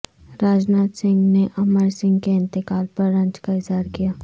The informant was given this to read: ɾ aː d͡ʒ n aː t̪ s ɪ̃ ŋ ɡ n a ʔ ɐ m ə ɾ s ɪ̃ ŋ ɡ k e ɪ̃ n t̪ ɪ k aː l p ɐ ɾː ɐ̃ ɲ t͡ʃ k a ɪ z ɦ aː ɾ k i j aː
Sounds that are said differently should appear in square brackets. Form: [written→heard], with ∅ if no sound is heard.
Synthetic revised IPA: ɾ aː d͡ʒ n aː t̪ s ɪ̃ ŋ ɡ n [a→e] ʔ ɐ m ə ɾ s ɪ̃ ŋ ɡ k e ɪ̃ n t̪ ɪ k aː l p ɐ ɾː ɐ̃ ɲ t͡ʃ k a ɪ z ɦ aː ɾ k i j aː